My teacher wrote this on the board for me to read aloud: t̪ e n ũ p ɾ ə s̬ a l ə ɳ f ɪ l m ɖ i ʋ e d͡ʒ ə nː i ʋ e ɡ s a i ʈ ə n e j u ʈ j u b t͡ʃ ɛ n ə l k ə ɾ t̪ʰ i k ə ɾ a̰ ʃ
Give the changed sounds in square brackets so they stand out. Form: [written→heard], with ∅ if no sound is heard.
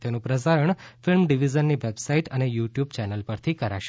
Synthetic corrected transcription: t̪ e n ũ p ɾ ə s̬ a [l→ɾ] ə ɳ f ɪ l m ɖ i ʋ [e→i] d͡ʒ ə nː i ʋ e [ɡ→b] s a i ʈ ə n e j u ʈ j u b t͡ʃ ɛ n ə l [k→p] ə ɾ t̪ʰ i k ə ɾ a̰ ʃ

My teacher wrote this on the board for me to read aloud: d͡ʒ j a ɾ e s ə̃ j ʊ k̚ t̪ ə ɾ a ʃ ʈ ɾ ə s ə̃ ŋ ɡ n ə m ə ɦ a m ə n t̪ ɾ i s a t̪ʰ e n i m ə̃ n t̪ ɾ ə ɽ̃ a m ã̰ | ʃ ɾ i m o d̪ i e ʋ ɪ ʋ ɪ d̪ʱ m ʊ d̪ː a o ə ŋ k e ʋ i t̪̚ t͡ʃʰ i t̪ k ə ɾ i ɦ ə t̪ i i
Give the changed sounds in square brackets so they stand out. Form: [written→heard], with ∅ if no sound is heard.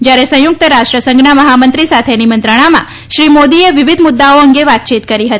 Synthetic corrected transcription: d͡ʒ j a ɾ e s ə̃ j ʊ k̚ t̪ ə ɾ a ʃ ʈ ɾ ə s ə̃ ŋ ɡ n [ə→a] m ə ɦ a m ə n t̪ ɾ i s a t̪ʰ e n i m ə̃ n t̪ ɾ ə ɽ̃ a m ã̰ | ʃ ɾ i m o d̪ i e ʋ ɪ ʋ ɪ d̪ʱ m ʊ d̪ː a o ə ŋ [k→ɡ] e ʋ [i→a] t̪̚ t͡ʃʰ i t̪ k ə ɾ i ɦ ə t̪ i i

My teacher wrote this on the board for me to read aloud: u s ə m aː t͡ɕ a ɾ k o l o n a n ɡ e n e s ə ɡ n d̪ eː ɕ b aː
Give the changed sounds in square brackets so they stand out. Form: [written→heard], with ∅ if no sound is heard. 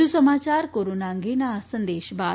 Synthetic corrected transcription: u s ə m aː t͡ɕ a ɾ k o [l→ɾ] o n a [n→ŋ] ɡ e n [e→a] s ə [ɡ→∅] n d̪ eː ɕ b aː

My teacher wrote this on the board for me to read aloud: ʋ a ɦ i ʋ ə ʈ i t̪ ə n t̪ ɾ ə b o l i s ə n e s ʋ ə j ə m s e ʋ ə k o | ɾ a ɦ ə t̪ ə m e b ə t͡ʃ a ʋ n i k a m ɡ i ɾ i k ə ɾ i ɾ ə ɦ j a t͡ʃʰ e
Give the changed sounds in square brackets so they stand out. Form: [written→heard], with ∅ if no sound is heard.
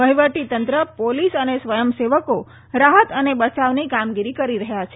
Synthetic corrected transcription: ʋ [a→ə] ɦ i ʋ ə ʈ i t̪ ə n t̪ ɾ ə [b→p] o l i s ə n e s ʋ ə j ə m s e ʋ ə k o | ɾ a ɦ ə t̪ ə [m→n] e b ə t͡ʃ a ʋ n i k a m ɡ i ɾ i k ə ɾ i ɾ ə ɦ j a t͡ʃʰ e

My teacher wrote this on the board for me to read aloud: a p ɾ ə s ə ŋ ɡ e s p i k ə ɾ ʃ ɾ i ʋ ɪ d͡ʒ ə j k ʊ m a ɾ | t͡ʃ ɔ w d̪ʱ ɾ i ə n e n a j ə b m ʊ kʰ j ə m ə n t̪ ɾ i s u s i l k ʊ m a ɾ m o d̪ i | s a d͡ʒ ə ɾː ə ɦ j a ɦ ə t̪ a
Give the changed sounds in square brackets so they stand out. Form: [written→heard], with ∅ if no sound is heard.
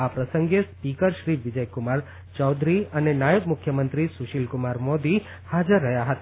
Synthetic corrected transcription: a p ɾ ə s ə ŋ ɡ e s p i k ə ɾ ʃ ɾ i ʋ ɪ d͡ʒ ə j k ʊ m a ɾ | t͡ʃ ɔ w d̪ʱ ɾ i ə n e n a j ə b m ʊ kʰ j ə m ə n t̪ ɾ i s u [s→ʃ] i l k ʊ m a ɾ m o d̪ i | [s→h] a d͡ʒ ə ɾː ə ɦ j a ɦ ə t̪ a

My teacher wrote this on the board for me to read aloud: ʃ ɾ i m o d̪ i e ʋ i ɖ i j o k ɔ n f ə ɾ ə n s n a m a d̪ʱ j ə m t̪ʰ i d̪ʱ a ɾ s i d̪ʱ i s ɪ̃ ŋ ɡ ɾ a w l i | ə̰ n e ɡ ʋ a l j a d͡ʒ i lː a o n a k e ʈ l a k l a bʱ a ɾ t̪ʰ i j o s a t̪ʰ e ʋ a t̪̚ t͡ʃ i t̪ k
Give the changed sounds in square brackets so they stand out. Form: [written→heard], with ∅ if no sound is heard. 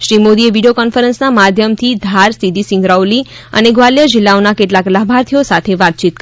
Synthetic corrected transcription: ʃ ɾ i m o d̪ i e ʋ i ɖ i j o k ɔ n f ə ɾ ə n s n a m a d̪ʱ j ə m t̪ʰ i d̪ʱ a ɾ s i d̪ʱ i s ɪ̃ ŋ ɡ ɾ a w l i | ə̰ n e ɡ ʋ a l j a d͡ʒ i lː a o n a k e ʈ l a k l a bʱ a ɾ t̪ʰ i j o s a t̪ʰ e ʋ a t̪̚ t͡ʃ i t̪ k

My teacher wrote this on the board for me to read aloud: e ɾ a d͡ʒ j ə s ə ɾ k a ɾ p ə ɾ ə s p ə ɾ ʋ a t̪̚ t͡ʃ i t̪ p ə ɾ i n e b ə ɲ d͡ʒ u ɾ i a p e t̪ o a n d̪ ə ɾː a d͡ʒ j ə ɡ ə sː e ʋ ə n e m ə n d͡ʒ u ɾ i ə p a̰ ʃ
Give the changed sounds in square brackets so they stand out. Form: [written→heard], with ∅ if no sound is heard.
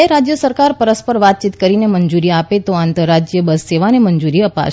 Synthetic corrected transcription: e ɾ a d͡ʒ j ə s ə ɾ k a ɾ p ə ɾ ə s p ə ɾ ʋ a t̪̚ t͡ʃ i t̪ [p→k] ə ɾ i n e [b→m] ə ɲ d͡ʒ u ɾ i a p e t̪ o a n [d̪→t̪] ə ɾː a d͡ʒ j ə [ɡ→b] ə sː e ʋ [ə→a] n e m ə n d͡ʒ u ɾ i ə p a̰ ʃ

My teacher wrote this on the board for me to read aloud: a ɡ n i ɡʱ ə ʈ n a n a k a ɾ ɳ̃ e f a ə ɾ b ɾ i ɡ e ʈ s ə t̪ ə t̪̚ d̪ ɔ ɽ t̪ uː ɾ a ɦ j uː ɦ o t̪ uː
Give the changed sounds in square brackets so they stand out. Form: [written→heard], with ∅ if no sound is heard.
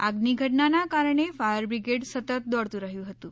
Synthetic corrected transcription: a ɡ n i ɡʱ ə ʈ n a n a k a ɾ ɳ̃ e f a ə ɾ b ɾ i ɡ e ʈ s ə t̪ ə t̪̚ d̪ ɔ ɽ t̪ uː ɾ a ɦ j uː ɦ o t̪ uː

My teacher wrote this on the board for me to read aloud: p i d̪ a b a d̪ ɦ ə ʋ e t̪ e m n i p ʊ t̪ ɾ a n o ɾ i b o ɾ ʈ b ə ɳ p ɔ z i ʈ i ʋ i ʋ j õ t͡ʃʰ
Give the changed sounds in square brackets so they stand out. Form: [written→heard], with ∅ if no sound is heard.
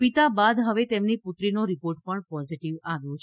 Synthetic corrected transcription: p i [d̪→t̪] a b a d̪ ɦ ə ʋ e t̪ e m n i p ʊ t̪ ɾ [a→i] n o ɾ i [b→p] o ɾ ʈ [b→p] ə ɳ p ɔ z i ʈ i ʋ [i→a] ʋ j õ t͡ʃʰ

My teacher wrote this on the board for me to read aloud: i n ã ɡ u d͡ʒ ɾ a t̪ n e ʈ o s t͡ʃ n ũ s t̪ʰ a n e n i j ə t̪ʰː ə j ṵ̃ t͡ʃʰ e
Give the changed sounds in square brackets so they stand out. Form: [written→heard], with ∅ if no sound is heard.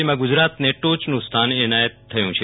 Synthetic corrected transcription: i [n→m] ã ɡ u d͡ʒ ɾ a t̪ n e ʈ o [s→∅] t͡ʃ n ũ s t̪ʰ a n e n [i→a] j ə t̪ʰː ə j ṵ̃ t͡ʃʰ e

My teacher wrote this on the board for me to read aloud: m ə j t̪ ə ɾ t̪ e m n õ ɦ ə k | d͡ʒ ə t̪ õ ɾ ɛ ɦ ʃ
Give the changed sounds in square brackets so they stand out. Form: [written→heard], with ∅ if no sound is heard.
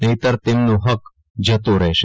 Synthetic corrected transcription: [m→n] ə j t̪ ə ɾ t̪ e m n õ ɦ ə k | d͡ʒ ə t̪ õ ɾ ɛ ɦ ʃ

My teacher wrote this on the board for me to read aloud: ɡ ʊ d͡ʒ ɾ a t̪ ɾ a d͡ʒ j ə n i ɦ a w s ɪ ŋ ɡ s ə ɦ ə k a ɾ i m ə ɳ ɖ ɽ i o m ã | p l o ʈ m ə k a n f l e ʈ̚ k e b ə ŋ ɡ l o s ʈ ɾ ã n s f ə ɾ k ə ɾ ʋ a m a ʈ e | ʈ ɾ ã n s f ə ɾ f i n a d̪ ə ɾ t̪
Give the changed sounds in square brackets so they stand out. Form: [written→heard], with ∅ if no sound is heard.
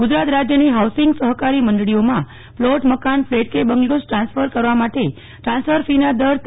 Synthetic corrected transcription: ɡ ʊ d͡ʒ ɾ a t̪ ɾ a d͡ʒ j ə n i ɦ a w s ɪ ŋ ɡ s ə ɦ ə k a ɾ i m ə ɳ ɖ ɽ i o m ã | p l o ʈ m ə k a n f l e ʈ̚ k e b ə ŋ ɡ l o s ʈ ɾ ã n s f ə ɾ k ə ɾ ʋ a m a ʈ e | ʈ ɾ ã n s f ə ɾ f i n a d̪ ə ɾ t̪

